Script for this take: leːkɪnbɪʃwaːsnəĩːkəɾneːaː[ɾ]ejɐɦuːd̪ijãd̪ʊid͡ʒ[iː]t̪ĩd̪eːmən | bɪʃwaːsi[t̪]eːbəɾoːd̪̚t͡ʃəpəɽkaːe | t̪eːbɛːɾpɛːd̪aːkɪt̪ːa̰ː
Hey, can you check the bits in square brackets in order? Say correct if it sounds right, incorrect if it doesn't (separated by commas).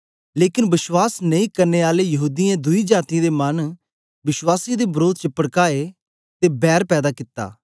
incorrect, incorrect, incorrect